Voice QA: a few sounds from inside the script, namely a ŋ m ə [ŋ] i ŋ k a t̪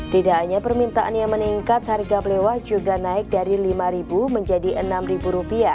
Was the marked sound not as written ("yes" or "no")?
yes